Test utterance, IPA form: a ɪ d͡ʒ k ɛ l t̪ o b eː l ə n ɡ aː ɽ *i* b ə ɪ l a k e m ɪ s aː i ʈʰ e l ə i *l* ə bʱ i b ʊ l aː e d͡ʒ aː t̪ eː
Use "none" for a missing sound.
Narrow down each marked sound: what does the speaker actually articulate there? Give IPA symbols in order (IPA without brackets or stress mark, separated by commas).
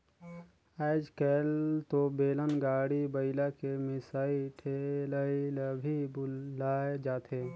i, l